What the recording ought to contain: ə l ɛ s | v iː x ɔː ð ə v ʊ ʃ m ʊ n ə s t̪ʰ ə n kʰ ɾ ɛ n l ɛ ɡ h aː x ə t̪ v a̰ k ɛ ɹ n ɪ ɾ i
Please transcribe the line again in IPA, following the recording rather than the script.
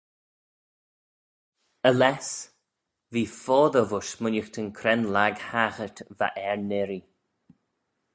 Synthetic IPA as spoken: ə l ɛ s | v iː f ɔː ð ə v ʊ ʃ m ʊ n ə x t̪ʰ ə n kʰ ɾ ɛ n l a ɡ h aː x ə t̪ v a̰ ʔ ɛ ɹ n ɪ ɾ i